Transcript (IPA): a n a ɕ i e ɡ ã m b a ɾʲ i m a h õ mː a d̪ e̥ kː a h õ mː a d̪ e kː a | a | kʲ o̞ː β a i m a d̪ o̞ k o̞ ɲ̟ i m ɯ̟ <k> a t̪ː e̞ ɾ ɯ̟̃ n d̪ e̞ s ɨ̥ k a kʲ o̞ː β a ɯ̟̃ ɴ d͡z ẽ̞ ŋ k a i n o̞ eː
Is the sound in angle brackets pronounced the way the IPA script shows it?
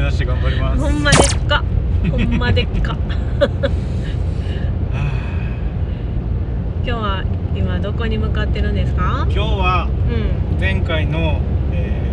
yes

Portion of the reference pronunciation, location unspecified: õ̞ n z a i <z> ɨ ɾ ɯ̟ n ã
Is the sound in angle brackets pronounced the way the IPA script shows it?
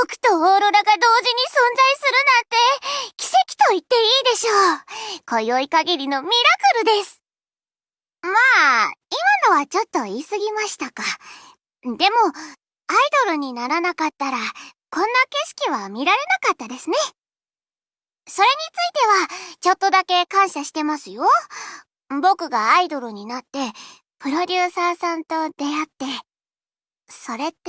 no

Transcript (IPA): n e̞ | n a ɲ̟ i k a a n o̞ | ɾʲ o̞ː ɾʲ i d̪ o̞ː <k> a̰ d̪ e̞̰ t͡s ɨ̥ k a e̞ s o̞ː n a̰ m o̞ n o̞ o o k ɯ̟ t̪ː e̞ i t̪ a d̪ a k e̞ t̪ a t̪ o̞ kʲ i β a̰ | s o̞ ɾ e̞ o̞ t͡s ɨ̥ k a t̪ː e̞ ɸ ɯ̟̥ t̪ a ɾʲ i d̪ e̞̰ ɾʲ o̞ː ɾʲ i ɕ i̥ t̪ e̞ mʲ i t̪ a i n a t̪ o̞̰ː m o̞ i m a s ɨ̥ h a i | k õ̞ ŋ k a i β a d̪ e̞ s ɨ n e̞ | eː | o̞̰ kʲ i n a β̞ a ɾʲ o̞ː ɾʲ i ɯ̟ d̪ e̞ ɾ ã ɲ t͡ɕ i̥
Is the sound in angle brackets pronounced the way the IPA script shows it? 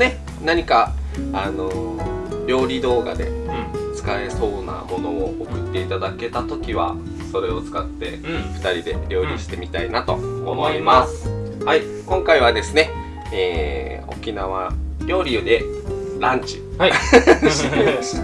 no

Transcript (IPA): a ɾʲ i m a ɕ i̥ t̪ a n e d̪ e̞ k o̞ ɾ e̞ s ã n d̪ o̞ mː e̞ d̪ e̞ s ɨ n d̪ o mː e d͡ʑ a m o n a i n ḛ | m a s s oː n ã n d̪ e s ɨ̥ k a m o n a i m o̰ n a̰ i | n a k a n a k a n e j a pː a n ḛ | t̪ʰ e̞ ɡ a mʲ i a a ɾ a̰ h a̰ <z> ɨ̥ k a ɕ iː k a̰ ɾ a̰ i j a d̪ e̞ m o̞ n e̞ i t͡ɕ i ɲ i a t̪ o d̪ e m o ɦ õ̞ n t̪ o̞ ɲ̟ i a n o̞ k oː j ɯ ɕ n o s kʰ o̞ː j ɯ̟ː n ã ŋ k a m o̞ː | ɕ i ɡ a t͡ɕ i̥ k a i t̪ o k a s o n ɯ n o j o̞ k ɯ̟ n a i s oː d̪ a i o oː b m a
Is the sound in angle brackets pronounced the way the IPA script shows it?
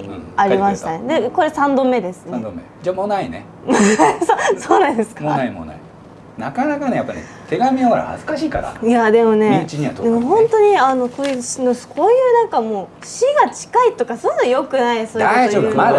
yes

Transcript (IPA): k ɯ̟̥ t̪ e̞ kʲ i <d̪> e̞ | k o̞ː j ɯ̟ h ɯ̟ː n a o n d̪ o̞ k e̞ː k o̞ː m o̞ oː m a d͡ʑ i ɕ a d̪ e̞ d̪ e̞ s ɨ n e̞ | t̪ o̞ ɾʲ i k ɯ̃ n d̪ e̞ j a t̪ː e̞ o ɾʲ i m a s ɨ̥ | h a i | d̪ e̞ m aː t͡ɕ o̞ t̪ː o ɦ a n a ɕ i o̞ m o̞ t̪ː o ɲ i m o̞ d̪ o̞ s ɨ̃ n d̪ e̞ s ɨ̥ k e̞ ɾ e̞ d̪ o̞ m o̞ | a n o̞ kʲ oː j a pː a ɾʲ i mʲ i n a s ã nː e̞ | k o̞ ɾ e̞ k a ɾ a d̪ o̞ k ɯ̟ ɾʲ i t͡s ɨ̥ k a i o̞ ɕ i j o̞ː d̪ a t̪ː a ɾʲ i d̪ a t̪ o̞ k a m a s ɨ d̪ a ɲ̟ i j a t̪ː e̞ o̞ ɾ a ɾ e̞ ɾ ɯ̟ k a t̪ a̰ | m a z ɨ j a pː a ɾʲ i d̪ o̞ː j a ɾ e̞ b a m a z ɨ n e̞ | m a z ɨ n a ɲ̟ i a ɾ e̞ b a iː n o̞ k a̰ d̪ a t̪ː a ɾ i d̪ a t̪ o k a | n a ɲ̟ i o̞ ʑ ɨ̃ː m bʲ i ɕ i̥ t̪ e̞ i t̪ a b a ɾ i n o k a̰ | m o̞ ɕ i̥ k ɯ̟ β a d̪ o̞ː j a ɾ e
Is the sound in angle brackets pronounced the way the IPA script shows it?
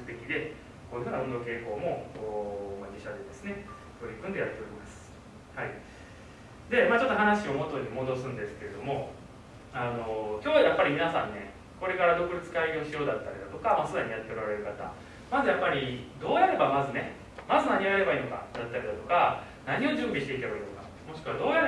yes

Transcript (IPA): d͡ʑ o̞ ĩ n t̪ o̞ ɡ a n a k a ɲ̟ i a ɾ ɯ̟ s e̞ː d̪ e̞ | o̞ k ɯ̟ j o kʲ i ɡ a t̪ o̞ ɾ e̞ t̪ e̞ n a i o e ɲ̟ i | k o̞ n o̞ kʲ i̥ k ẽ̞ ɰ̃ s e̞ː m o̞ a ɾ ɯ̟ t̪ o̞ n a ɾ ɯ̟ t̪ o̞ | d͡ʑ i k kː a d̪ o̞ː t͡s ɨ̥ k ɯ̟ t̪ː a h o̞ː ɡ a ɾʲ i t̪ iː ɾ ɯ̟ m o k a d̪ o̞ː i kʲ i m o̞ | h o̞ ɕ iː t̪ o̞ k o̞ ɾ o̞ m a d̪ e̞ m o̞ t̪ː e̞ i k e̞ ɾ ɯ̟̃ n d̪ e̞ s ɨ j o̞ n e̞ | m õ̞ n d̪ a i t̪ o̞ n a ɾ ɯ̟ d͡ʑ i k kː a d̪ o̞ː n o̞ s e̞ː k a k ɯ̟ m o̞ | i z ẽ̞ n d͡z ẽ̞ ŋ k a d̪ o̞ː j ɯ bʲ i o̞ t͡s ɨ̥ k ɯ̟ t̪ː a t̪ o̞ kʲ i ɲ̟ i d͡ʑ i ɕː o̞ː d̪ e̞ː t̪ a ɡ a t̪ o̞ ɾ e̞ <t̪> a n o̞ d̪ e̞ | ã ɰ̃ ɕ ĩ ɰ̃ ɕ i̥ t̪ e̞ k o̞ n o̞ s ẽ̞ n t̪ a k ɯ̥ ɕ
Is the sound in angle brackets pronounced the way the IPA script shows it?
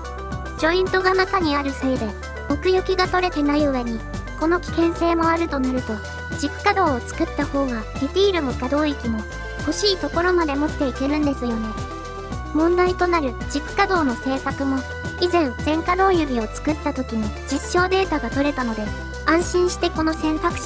yes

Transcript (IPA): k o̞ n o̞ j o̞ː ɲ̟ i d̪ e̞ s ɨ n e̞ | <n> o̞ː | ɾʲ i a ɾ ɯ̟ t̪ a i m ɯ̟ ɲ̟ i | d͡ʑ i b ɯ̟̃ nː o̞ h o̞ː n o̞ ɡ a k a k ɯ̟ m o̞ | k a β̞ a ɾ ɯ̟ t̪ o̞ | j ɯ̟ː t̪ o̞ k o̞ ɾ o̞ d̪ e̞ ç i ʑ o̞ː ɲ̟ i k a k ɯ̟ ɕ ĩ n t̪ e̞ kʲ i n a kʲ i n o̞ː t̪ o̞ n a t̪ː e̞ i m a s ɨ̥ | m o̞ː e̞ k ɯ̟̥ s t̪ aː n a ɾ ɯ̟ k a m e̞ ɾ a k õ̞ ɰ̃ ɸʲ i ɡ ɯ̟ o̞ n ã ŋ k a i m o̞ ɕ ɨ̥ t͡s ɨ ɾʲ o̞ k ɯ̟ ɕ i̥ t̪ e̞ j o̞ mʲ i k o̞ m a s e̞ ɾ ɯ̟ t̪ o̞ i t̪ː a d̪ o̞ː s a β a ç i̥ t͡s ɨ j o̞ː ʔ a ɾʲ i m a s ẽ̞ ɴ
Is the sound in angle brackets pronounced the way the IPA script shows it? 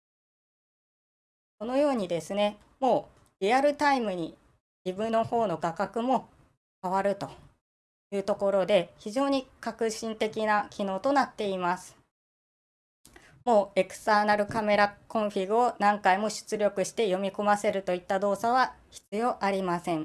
no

